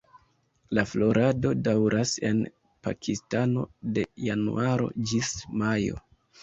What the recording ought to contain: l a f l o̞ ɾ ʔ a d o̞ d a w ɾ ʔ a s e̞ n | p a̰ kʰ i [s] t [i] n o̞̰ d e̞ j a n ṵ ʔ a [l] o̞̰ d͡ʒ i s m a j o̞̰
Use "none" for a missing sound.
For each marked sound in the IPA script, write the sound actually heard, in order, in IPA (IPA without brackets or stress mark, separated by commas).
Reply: s, a, ɾ